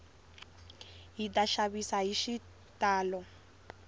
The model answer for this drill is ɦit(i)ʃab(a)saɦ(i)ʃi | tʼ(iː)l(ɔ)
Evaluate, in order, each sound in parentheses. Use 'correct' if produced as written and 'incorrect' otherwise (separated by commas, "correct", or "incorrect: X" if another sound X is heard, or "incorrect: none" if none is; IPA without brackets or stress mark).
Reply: incorrect: a, incorrect: i, correct, incorrect: aː, correct